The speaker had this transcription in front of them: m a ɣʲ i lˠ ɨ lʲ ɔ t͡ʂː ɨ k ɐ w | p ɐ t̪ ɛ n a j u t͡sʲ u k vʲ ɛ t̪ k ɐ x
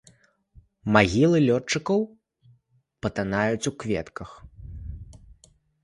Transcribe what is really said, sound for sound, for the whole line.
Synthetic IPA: m a ɣʲ i lˠ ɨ lʲ ɔ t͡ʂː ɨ k ɐ w | p ɐ t̪ a n a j u t͡sʲ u k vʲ ɛ t̪ k ɐ x